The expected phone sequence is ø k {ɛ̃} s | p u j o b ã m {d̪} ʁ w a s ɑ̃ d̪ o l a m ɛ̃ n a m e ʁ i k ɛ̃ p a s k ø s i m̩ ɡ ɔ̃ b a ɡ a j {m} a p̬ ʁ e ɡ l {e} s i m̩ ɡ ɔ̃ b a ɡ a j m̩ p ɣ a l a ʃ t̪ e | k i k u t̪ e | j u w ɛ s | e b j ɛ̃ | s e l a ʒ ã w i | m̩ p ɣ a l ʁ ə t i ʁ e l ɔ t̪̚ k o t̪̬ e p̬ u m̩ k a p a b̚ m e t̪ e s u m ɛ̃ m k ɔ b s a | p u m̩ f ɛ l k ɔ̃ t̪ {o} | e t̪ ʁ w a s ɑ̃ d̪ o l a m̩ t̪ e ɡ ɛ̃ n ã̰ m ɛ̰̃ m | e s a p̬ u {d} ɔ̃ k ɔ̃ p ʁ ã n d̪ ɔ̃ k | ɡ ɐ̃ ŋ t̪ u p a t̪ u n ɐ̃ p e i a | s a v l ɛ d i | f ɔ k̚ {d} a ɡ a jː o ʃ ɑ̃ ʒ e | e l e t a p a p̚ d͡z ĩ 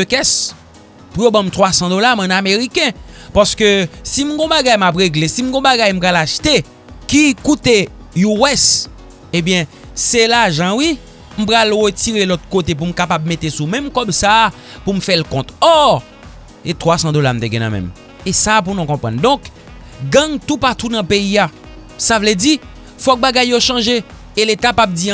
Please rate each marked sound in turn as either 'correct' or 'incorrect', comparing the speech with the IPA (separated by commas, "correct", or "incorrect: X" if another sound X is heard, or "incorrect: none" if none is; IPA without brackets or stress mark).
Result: incorrect: ɛ, incorrect: t̪, correct, correct, incorrect: ɔ, incorrect: n, incorrect: b